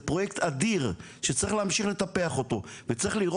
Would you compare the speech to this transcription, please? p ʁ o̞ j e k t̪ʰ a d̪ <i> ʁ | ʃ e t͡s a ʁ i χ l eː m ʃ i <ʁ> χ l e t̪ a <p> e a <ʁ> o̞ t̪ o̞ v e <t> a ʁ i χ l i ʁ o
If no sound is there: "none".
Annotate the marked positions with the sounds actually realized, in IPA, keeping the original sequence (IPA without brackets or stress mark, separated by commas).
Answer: i, none, p, χ, t͡s